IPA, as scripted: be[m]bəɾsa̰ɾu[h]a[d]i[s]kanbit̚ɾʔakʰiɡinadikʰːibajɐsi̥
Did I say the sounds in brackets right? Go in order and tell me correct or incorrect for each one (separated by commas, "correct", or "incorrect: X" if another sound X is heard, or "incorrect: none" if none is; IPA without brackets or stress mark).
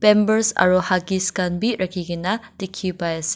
correct, correct, incorrect: ɡ, correct